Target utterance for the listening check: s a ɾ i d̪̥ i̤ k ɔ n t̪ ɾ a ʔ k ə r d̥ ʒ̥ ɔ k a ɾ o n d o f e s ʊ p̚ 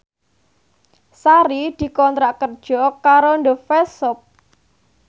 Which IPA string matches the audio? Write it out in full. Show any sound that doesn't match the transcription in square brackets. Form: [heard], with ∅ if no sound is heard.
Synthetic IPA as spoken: s a ɾ i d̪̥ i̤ k ɔ n t̪ ɾ a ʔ k ə r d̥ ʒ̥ ɔ k a ɾ o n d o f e s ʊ p̚